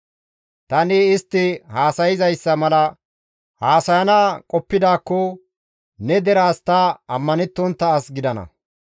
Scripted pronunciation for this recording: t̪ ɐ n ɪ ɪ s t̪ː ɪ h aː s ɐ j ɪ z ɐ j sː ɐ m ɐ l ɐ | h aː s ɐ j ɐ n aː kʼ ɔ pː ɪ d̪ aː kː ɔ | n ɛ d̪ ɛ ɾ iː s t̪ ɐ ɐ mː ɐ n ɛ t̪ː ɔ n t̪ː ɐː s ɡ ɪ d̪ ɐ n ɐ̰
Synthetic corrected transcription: t̪ ɐ n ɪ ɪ s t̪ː ɪ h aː s ɐ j ɪ z ɐ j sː ɐ m ɐ l ɐ | h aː s ɐ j ɐ n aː kʼ ɔ pː ɪ d̪ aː kː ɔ | n ɛ d̪ ɛ ɾ aː s t̪ ɐ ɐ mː ɐ n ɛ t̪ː ɔ n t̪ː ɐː s ɡ ɪ d̪ ɐ n ɐ̰